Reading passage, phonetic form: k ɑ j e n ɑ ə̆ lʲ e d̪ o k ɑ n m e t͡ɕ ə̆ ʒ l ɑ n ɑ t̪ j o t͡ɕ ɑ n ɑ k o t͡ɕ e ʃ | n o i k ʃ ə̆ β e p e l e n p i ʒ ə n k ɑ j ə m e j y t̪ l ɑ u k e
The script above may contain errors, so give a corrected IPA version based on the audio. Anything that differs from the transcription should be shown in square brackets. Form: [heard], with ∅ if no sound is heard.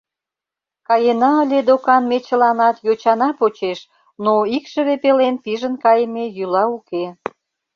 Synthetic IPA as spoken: k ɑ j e n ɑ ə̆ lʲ e d̪ o k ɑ n m e t͡ɕ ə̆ [∅] l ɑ n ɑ t̪ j o t͡ɕ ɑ n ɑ [p] o t͡ɕ e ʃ | n o i k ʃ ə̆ β e p e l e n p i ʒ ə n k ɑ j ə m e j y [∅] l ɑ u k e